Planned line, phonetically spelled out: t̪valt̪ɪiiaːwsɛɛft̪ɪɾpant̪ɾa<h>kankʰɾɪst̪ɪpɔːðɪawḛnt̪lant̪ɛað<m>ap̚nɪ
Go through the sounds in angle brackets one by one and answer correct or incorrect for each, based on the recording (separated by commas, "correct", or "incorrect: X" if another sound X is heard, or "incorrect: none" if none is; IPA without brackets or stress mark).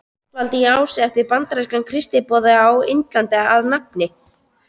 incorrect: s, incorrect: n